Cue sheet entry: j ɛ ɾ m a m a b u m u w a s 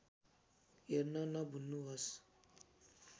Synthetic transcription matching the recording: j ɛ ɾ n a n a b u n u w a s